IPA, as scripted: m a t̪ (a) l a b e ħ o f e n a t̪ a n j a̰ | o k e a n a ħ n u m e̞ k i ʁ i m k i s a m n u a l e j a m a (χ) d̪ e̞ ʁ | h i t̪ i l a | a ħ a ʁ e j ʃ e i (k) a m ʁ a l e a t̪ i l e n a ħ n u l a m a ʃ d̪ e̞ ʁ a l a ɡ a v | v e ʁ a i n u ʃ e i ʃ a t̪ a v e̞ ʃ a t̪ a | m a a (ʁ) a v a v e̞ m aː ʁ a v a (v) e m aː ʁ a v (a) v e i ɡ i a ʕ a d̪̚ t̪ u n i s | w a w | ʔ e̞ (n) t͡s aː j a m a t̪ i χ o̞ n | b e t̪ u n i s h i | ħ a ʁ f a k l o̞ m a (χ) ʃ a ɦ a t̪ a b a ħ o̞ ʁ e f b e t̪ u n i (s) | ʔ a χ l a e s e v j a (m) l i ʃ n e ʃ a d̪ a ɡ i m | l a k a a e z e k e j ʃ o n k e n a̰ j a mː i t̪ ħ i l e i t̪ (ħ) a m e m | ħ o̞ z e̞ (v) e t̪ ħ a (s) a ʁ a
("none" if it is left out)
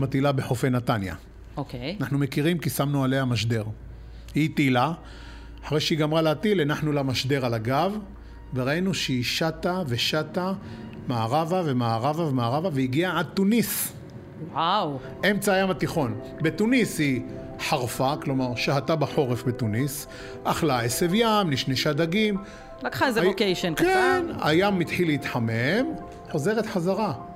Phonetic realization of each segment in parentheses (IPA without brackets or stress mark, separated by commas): i, ʃ, ɡ, ʁ, v, a, m, ʁ, s, m, ħ, ʁ, z